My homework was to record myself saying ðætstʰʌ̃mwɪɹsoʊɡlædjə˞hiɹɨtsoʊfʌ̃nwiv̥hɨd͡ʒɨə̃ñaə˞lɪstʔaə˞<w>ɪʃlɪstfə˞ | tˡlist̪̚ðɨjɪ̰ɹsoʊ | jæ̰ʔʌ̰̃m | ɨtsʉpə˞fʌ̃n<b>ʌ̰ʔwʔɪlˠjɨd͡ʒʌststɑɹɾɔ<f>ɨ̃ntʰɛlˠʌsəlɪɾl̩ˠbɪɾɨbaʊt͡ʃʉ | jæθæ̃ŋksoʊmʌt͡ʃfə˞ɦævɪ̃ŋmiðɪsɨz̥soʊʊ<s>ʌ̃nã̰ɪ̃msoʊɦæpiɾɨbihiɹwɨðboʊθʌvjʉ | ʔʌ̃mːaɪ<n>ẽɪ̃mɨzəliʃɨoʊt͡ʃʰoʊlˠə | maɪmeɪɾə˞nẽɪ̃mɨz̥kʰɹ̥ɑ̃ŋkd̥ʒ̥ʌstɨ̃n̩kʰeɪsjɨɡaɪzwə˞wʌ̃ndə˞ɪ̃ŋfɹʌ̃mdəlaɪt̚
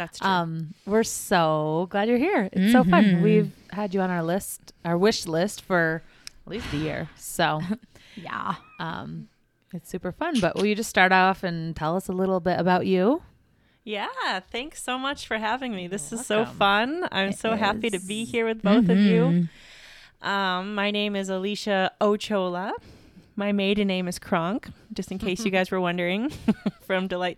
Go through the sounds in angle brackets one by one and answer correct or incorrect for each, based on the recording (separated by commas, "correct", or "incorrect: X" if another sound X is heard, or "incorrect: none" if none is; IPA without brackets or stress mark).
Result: correct, correct, correct, incorrect: f, correct